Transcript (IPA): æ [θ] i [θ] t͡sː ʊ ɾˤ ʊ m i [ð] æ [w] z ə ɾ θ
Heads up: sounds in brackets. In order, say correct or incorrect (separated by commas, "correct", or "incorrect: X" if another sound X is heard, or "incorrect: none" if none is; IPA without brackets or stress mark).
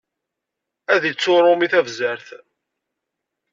incorrect: ð, incorrect: none, incorrect: θ, incorrect: v